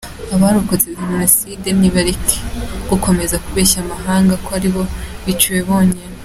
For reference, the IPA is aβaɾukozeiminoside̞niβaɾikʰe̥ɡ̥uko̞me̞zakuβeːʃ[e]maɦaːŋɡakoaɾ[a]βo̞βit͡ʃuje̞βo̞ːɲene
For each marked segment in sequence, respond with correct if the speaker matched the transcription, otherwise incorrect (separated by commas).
incorrect, incorrect